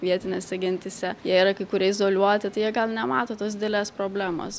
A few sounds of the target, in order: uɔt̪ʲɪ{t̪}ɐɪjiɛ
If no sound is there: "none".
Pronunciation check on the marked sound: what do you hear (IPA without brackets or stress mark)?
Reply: t̪